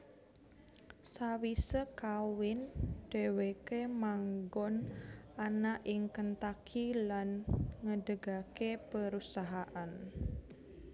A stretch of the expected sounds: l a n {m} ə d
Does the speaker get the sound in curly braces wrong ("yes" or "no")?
yes